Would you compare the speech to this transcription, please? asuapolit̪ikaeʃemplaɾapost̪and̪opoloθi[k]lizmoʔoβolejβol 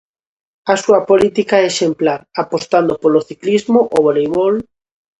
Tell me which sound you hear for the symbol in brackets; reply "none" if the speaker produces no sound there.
k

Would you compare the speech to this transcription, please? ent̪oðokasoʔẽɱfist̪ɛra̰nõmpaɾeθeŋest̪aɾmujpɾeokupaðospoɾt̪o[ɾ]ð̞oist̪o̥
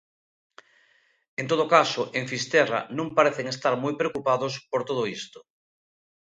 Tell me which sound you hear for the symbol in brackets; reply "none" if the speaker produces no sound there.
none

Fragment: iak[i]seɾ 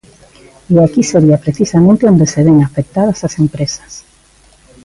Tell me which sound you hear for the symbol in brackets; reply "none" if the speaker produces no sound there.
i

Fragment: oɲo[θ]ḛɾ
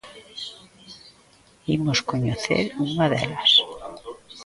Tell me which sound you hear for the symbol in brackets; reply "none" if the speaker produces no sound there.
θ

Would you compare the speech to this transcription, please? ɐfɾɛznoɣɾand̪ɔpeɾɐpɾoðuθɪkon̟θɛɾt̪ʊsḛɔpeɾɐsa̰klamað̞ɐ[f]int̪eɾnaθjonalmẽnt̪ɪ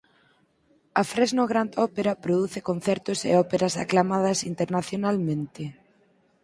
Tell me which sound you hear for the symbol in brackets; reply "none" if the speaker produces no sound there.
s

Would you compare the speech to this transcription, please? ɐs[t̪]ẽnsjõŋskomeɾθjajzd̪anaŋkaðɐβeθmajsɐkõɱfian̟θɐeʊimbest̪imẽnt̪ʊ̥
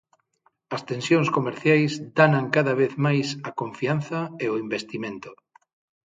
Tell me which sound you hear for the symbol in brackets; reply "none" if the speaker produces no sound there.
t̪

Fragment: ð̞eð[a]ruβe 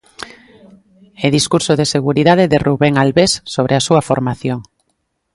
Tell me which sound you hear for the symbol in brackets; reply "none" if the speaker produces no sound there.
e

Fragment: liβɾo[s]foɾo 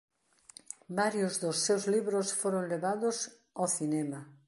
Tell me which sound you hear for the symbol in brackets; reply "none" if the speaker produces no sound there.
s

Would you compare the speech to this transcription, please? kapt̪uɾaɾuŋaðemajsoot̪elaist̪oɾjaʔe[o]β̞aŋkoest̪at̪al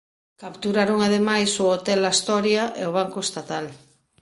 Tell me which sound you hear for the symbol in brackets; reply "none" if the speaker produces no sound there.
o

